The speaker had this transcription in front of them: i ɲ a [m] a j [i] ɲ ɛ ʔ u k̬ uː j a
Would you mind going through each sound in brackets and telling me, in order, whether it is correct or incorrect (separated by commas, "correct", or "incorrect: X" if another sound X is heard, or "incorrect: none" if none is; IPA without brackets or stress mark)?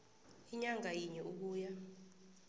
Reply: incorrect: ŋ, correct